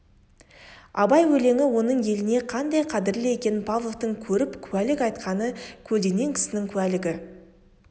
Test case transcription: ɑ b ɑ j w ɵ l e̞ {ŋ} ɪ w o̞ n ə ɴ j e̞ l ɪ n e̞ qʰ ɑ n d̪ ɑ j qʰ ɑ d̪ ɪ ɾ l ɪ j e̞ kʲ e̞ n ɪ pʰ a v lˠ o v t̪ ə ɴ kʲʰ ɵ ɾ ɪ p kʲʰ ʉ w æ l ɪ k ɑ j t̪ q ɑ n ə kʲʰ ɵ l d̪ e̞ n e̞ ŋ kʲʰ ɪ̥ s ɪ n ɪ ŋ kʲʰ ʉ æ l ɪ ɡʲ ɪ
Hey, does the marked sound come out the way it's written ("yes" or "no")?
yes